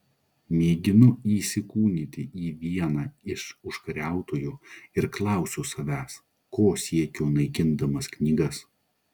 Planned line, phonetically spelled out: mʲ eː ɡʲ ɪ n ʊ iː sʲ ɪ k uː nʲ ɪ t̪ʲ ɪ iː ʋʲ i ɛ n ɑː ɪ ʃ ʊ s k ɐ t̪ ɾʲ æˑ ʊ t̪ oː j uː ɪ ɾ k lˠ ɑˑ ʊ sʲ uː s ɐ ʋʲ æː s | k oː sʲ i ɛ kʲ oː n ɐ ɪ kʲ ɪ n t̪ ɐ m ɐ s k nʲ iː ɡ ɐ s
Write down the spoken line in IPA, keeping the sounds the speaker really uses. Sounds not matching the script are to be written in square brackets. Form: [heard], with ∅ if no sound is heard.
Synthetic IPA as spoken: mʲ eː ɡʲ ɪ n ʊ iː sʲ ɪ k uː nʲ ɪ t̪ʲ ɪ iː ʋʲ i ɛ n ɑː ɪ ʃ ʊ [ʃ] k ɐ [∅] ɾʲ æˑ ʊ t̪ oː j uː ɪ ɾ k lˠ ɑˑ ʊ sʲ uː s ɐ ʋʲ æː s | k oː sʲ i ɛ kʲ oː n ɐ ɪ kʲ ɪ n [d̪] ɐ m ɐ s k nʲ iː ɡ ɐ s

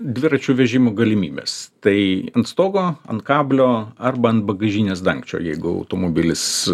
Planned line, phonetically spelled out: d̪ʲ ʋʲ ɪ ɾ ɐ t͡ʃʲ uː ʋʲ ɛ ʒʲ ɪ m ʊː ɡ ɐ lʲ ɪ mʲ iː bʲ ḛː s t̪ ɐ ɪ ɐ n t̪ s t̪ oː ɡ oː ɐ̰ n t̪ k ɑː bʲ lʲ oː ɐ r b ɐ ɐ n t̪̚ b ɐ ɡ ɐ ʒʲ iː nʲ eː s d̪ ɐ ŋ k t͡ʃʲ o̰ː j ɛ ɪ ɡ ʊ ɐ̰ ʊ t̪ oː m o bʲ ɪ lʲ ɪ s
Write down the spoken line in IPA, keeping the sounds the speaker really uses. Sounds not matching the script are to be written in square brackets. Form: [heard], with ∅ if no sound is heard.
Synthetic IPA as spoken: d̪ʲ ʋʲ ɪ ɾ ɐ t͡ʃʲ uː ʋʲ ɛ ʒʲ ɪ m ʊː ɡ ɐ lʲ ɪ mʲ iː bʲ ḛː s t̪ ɐ ɪ ɐ n t̪ s t̪ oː ɡ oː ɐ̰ n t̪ k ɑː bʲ lʲ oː ɐ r b ɐ ɐ n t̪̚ b ɐ ɡ ɐ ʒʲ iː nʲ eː s d̪ ɐ ŋ k t͡ʃʲ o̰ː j ɛ ɪ ɡ ʊ ɐ̰ ʊ t̪ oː m o bʲ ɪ lʲ ɪ s

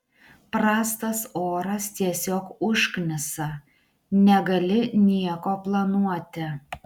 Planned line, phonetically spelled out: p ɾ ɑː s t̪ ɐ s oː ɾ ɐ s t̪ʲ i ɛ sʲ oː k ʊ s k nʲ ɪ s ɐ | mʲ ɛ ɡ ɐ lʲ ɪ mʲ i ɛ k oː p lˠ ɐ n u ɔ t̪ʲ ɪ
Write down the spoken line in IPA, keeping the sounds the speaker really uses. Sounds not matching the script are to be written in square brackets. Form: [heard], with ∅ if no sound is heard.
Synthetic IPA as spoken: p ɾ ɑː s t̪ ɐ s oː ɾ ɐ s t̪ʲ i ɛ sʲ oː k ʊ [ʃ] k nʲ ɪ s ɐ | [nʲ] ɛ ɡ ɐ lʲ ɪ [nʲ] i ɛ k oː p lˠ ɐ n u ɔ t̪ʲ ɪ

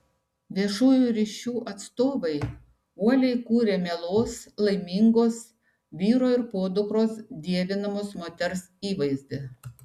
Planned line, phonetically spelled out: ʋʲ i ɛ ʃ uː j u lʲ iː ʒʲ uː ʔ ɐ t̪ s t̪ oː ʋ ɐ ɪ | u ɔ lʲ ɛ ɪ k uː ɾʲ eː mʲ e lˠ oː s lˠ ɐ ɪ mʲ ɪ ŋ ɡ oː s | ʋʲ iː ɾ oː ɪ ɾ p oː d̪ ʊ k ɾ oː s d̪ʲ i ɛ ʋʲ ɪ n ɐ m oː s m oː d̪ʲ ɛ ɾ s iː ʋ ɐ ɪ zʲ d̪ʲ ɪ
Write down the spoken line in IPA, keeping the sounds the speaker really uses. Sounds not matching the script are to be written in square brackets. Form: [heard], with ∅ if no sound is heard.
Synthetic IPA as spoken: ʋʲ i ɛ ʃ uː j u [ɾʲ] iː [ʃʲ] uː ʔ ɐ t̪ s t̪ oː ʋ ɐ ɪ | u ɔ lʲ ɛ ɪ k uː ɾʲ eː mʲ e lˠ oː s lˠ ɐ ɪ mʲ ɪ ŋ ɡ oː s | ʋʲ iː ɾ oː ɪ ɾ p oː d̪ ʊ k ɾ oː s d̪ʲ i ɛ ʋʲ ɪ n ɐ m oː s m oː [t̪ʲ] ɛ ɾ s iː ʋ ɐ ɪ zʲ d̪ʲ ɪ

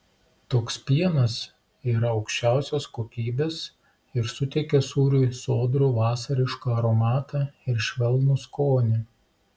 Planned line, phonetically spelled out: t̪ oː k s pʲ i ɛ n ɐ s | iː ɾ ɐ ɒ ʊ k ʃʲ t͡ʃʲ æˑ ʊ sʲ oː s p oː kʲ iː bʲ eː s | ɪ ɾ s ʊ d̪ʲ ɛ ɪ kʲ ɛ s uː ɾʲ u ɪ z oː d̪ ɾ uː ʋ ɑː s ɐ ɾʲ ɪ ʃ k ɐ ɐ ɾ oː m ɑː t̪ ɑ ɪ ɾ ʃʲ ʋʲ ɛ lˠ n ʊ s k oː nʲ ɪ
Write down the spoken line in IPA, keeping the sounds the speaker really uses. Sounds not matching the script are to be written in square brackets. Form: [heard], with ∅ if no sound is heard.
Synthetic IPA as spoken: t̪ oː k s pʲ i ɛ n ɐ s | iː ɾ ɐ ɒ ʊ k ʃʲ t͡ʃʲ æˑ ʊ sʲ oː s [k] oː kʲ iː bʲ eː s | ɪ ɾ s ʊ [t̪ʲ] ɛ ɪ kʲ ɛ s uː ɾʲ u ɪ [s] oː d̪ ɾ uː ʋ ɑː s ɐ ɾʲ ɪ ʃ k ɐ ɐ ɾ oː m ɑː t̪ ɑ ɪ ɾ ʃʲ ʋʲ ɛ lˠ n ʊ s k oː nʲ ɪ

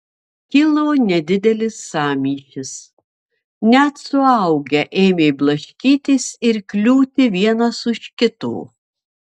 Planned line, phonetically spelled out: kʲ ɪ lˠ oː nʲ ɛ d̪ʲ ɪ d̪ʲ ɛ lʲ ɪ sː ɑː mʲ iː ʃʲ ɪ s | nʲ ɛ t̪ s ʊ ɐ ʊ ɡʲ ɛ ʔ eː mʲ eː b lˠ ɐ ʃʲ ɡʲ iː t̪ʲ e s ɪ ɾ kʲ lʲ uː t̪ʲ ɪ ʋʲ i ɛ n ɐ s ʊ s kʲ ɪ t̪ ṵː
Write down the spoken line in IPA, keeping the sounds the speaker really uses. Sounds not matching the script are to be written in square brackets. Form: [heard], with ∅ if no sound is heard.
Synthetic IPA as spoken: kʲ ɪ lˠ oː nʲ ɛ d̪ʲ ɪ d̪ʲ ɛ lʲ ɪ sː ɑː mʲ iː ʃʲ ɪ s | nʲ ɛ t̪ s ʊ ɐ ʊ ɡʲ ɛ ʔ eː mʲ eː b lˠ ɐ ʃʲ [kʲ] iː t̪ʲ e s ɪ ɾ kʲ lʲ uː t̪ʲ ɪ ʋʲ i ɛ n ɐ s ʊ [ʃ] kʲ ɪ t̪ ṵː

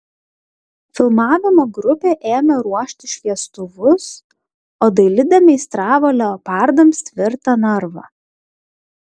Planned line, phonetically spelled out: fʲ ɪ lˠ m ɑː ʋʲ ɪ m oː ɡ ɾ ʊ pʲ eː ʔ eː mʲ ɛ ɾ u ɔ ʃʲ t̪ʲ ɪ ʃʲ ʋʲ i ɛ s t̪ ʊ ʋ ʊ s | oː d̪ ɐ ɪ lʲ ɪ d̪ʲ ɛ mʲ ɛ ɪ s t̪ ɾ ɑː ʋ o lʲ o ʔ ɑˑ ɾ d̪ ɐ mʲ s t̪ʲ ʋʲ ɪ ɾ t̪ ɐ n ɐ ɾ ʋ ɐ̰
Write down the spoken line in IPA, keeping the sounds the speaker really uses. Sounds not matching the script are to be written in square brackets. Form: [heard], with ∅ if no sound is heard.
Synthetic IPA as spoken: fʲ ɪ lˠ m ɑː ʋʲ ɪ m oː ɡ ɾ ʊ pʲ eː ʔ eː mʲ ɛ ɾ u ɔ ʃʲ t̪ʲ ɪ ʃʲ ʋʲ i ɛ s t̪ ʊ ʋ ʊ s | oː d̪ ɐ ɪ lʲ ɪ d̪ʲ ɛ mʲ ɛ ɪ s t̪ ɾ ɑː ʋ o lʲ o [p] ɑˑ ɾ d̪ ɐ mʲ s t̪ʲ ʋʲ ɪ ɾ t̪ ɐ n ɐ ɾ ʋ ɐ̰

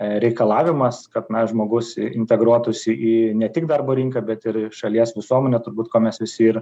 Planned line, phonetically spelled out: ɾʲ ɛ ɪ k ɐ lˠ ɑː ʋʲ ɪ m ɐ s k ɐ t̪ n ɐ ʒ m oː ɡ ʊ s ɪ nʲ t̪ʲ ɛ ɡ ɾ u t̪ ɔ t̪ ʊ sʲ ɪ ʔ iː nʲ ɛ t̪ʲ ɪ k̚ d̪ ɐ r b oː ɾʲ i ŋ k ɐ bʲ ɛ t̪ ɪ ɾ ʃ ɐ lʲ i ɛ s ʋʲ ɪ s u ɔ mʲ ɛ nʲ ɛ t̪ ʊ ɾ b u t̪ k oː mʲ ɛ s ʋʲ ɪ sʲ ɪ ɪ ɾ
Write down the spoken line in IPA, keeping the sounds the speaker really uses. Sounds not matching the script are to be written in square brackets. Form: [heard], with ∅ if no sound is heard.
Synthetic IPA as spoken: ɾʲ ɛ ɪ k ɐ lˠ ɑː ʋʲ ɪ m ɐ s k ɐ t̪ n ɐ ʒ m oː ɡ ʊ s ɪ nʲ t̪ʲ ɛ ɡ ɾ u [∅] ɔ t̪ ʊ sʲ ɪ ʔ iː nʲ ɛ t̪ʲ ɪ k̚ d̪ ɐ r b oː ɾʲ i ŋ k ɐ bʲ ɛ t̪ ɪ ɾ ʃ ɐ lʲ i ɛ s ʋʲ ɪ s u ɔ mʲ ɛ nʲ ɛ t̪ ʊ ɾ b [uː] t̪ k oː mʲ ɛ s ʋʲ ɪ sʲ ɪ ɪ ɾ

